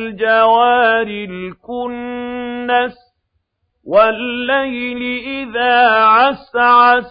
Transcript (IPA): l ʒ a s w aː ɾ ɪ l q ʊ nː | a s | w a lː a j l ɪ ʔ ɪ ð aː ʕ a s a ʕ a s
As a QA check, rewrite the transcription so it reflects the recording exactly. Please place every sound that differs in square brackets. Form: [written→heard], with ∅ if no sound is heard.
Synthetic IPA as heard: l [ʒ→d͡ʒ] a [s→∅] w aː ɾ ɪ l [q→k] ʊ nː | a s | w a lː a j l ɪ ʔ ɪ ð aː ʕ a s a ʕ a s